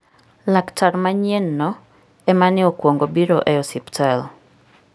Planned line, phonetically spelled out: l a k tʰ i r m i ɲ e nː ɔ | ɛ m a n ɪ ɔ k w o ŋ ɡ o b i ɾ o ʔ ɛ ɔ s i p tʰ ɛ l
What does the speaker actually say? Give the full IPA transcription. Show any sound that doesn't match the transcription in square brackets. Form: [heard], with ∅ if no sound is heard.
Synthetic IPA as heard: l a k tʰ [a] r m [a] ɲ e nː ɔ | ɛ m a n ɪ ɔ k w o ŋ ɡ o b i ɾ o ʔ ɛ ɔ s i p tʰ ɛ l